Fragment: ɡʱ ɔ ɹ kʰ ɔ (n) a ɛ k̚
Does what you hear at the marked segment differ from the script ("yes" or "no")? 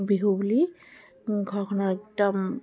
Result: no